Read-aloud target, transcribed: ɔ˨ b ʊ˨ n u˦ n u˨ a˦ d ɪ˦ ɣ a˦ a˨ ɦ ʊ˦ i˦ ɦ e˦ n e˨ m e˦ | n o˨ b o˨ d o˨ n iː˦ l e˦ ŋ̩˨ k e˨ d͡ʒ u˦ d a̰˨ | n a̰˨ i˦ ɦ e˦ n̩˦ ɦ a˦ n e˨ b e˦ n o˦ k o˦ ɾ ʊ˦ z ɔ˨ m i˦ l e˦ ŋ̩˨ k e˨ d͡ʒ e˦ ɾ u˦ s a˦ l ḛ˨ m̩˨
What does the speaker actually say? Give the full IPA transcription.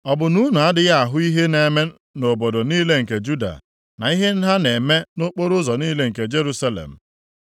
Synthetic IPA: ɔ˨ b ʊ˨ n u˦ n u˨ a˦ d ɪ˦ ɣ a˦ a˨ ɦ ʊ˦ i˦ ɦ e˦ n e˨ m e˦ | n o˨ b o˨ d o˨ n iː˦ l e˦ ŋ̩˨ k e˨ d͡ʒ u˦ d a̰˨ | n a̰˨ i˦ ɦ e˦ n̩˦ ɦ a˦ n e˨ m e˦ n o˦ k͡p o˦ ɾ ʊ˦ z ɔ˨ n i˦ l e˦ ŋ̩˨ k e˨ d͡ʒ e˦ ɾ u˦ s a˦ l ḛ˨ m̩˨